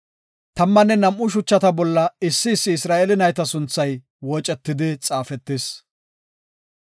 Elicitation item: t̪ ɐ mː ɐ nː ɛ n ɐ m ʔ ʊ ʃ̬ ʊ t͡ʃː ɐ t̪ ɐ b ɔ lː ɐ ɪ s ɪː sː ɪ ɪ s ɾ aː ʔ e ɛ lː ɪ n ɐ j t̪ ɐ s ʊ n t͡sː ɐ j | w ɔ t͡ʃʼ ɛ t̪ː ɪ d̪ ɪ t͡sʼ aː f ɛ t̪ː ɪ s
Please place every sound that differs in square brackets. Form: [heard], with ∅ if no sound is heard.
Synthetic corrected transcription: t̪ ɐ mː ɐ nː ɛ n ɐ m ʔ ʊ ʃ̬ ʊ t͡ʃː ɐ t̪ ɐ b ɔ lː ɐ ɪ [sː] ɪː sː ɪ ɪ s ɾ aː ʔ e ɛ [l] ɪ n ɐ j t̪ ɐ s ʊ n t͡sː ɐ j | w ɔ t͡ʃʼ ɛ t̪ː ɪ d̪ ɪ t͡sʼ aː f ɛ t̪ː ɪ s